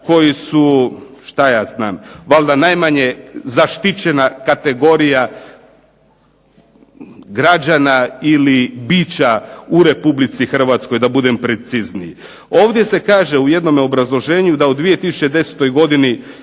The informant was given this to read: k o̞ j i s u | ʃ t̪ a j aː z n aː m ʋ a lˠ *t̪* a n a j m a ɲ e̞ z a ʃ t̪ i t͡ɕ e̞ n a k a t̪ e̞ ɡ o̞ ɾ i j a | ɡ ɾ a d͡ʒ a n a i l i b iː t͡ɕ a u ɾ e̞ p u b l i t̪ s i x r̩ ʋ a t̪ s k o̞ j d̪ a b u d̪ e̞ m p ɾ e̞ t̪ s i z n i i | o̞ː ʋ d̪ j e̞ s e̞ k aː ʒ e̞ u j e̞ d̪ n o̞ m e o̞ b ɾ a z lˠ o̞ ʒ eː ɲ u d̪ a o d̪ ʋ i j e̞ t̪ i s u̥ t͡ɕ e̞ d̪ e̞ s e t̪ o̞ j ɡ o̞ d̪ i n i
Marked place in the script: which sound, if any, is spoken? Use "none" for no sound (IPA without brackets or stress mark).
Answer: d̪